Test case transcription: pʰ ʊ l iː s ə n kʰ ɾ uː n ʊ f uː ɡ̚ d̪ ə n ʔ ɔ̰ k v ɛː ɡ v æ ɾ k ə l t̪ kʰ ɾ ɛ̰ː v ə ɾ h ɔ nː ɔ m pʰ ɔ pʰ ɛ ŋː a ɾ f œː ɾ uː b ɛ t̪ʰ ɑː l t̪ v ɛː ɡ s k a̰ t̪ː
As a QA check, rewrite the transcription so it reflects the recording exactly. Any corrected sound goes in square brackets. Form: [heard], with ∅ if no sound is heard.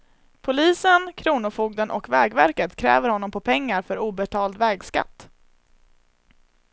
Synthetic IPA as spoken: pʰ ʊ l iː s ə n kʰ ɾ uː n ʊ f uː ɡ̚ d̪ ə n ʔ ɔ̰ k v ɛː ɡ v æ ɾ k ə [∅] t̪ kʰ ɾ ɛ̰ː v ə ɾ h ɔ nː ɔ m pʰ ɔ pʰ ɛ ŋː a ɾ f [œ] ɾ uː b ɛ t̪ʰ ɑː l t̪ v ɛː ɡ s k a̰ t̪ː